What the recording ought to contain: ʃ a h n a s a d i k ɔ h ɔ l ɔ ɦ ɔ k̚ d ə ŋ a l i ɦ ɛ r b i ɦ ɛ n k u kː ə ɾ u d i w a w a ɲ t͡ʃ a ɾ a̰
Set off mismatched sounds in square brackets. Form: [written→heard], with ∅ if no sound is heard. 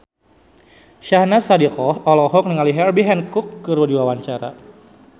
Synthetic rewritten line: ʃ a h n a s a d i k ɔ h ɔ l ɔ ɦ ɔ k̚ [d→n] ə ŋ a l i ɦ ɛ r b i ɦ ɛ n k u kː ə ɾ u d i w a w a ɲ t͡ʃ a ɾ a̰